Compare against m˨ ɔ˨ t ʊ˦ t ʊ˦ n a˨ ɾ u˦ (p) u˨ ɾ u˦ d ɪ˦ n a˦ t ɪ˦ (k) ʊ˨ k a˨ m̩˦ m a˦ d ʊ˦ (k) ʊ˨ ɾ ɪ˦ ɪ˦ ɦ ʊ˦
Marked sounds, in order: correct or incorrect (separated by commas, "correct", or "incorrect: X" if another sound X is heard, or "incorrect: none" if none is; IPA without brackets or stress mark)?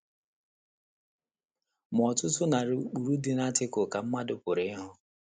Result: incorrect: k͡p, correct, incorrect: p